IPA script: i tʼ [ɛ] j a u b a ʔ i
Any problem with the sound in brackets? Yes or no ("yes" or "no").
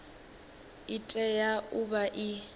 no